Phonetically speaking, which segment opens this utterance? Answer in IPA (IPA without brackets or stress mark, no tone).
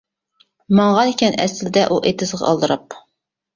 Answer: m